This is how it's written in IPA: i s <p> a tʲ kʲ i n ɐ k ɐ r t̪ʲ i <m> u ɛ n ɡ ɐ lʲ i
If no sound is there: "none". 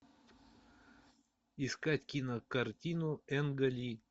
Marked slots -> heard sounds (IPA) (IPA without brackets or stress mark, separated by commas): k, n